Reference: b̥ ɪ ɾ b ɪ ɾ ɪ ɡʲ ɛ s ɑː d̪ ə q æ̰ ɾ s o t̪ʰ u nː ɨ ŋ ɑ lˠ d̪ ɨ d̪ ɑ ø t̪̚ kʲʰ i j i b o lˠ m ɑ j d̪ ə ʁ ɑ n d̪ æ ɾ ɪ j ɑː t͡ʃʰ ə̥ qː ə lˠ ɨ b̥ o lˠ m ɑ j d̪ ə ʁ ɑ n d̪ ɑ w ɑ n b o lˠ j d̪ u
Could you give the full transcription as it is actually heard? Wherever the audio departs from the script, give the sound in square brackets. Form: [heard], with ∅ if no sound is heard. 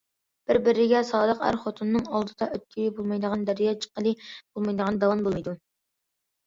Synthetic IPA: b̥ ɪ ɾ b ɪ ɾ ɪ ɡʲ ɛ s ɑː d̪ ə q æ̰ ɾ [χ] o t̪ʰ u nː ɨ ŋ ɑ lˠ d̪ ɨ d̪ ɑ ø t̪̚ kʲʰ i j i b o lˠ m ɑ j d̪ ə ʁ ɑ n d̪ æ ɾ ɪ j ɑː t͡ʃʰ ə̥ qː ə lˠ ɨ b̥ o lˠ m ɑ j d̪ ə ʁ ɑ n d̪ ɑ w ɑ n b o lˠ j d̪ u